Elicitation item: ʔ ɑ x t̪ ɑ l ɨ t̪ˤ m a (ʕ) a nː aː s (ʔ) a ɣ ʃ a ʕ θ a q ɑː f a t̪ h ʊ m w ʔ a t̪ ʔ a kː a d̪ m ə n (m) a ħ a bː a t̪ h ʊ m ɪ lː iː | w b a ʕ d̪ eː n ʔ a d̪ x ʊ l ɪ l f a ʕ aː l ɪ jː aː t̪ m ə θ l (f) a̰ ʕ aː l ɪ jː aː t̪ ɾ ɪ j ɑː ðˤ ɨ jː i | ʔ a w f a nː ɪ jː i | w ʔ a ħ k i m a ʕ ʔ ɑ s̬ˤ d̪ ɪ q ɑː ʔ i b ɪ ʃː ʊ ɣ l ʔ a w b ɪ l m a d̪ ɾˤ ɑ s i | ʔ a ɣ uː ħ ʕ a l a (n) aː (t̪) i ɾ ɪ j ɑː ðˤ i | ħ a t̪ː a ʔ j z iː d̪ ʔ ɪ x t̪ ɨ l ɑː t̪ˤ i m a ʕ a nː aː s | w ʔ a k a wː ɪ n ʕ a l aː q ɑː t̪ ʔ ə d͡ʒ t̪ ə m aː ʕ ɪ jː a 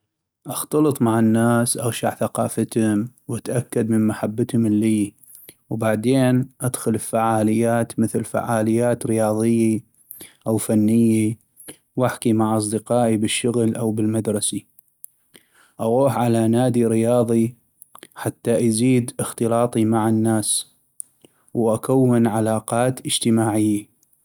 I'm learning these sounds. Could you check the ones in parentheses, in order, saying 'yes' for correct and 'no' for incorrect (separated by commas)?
yes, yes, yes, yes, yes, no